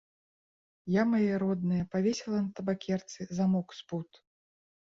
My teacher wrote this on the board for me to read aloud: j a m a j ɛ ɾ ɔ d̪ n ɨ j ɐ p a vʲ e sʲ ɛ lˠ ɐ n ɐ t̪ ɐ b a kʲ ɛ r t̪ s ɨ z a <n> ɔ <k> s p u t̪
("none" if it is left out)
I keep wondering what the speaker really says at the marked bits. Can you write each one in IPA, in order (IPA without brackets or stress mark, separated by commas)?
m, k